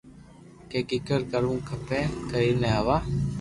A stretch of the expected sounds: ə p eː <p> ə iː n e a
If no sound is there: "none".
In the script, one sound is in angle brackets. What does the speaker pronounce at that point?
k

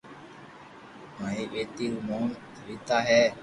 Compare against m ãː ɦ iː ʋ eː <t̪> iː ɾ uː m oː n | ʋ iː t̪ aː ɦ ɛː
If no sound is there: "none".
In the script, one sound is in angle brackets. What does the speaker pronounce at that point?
t̪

